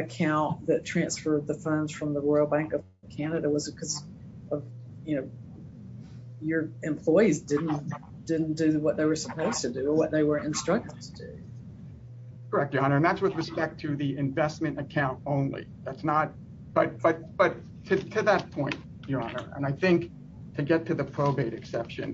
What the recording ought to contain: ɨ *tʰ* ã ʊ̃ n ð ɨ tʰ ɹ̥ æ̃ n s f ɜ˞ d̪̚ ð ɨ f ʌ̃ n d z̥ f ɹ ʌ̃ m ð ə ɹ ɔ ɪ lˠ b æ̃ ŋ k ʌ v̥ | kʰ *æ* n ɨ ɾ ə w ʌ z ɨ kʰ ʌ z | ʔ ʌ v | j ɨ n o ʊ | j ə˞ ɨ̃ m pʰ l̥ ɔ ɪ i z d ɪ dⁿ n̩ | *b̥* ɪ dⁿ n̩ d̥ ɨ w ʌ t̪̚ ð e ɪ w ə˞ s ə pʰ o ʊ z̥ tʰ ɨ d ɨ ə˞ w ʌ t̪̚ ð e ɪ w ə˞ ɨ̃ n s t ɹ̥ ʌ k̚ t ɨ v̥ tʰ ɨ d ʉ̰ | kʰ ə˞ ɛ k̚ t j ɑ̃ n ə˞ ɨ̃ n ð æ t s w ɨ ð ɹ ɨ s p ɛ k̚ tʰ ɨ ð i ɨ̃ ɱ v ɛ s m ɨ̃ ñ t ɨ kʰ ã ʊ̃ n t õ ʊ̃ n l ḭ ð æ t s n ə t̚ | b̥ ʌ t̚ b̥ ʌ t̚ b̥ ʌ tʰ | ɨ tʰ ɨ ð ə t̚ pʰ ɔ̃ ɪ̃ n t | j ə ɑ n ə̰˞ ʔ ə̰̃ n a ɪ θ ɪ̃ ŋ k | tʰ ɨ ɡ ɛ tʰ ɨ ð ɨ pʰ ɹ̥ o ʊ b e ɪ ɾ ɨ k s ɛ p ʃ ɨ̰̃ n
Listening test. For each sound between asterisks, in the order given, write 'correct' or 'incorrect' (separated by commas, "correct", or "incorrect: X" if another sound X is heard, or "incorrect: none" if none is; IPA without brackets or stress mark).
incorrect: kʰ, correct, incorrect: d̥